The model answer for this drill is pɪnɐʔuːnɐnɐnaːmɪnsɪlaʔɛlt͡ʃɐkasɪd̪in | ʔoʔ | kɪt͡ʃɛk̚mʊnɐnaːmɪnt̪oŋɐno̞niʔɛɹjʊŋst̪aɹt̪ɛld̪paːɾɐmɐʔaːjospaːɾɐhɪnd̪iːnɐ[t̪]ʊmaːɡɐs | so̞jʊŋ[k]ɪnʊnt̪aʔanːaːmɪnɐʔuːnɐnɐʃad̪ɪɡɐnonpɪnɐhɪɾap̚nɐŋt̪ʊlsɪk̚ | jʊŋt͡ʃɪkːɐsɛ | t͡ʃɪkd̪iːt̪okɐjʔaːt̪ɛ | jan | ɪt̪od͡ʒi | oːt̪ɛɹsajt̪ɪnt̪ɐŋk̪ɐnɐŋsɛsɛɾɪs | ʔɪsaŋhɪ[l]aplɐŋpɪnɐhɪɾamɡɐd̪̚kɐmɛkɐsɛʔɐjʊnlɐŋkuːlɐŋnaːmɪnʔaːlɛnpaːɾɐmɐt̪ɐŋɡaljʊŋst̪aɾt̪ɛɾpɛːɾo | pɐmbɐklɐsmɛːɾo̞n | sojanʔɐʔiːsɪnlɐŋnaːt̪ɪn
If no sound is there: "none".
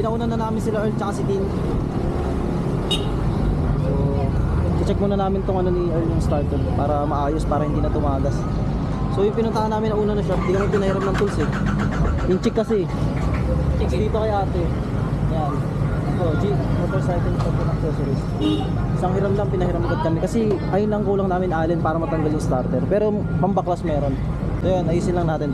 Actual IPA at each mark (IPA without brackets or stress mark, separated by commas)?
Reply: t̪, p, ɾ